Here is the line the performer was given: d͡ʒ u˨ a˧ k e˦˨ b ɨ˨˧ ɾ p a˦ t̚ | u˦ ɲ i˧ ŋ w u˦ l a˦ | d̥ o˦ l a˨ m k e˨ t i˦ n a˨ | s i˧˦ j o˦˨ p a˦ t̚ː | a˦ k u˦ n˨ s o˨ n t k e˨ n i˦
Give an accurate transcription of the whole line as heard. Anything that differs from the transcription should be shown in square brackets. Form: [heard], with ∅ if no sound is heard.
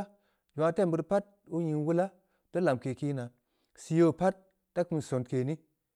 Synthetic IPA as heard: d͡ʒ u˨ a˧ [t] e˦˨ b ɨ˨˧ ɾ p a˦ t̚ | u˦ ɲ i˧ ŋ w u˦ l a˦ | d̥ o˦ l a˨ m k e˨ [k] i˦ n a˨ | s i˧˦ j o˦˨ p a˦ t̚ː | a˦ k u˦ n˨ s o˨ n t k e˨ n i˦